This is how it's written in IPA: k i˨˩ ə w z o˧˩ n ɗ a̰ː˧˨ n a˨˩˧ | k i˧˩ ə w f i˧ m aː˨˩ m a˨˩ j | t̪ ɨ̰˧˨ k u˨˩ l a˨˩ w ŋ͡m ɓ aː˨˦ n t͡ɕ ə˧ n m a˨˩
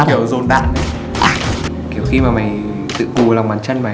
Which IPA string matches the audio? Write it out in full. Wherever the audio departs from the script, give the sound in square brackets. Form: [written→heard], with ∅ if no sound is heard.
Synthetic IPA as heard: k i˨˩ ə w z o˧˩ n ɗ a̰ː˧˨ n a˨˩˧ | k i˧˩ ə w [f→x] i˧ m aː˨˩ m a˨˩ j | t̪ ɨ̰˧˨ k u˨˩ l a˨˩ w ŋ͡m ɓ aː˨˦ n t͡ɕ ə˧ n m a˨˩